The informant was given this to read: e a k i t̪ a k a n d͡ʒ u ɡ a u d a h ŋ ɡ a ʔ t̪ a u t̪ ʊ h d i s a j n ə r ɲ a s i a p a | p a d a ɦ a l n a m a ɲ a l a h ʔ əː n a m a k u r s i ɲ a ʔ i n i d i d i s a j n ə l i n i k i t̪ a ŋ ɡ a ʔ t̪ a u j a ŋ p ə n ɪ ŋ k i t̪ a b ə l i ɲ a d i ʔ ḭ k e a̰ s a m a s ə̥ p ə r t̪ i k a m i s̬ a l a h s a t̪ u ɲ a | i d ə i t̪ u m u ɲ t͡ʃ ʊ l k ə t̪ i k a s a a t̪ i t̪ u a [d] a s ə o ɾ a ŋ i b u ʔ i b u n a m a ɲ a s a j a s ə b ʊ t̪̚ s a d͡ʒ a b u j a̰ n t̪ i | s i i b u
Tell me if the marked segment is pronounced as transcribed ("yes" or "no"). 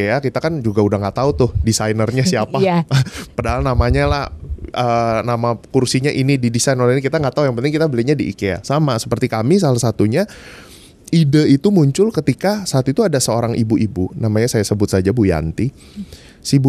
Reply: yes